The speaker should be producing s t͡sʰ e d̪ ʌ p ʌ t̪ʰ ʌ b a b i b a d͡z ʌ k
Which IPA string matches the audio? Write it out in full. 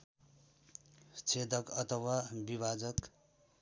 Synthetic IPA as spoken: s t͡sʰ e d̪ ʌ k ʌ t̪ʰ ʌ w a b i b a d͡z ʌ k